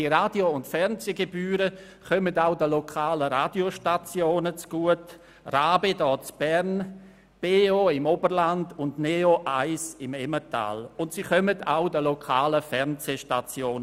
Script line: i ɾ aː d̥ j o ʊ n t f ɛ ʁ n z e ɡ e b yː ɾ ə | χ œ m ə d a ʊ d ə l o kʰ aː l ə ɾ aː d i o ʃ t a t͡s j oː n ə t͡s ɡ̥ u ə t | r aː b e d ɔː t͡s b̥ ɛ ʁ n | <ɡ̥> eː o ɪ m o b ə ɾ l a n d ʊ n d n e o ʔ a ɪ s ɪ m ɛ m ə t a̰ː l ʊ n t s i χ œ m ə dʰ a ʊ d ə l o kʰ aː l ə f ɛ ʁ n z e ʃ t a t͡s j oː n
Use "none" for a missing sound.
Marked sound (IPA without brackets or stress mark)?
b̥